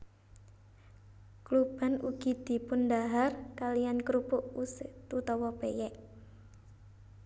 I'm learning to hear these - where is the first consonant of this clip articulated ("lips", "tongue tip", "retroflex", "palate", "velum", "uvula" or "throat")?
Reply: velum